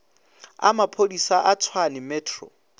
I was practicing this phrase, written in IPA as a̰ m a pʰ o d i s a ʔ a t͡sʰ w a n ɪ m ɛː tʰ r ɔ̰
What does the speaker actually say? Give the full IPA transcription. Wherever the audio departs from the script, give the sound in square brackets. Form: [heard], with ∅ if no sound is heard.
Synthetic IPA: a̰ m a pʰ o d i s a ʔ a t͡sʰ w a n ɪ m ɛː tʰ r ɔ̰